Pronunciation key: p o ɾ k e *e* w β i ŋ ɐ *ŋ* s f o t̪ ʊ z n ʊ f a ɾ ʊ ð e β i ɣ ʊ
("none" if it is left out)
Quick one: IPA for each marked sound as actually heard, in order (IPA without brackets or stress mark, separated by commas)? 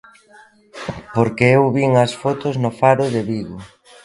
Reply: e, none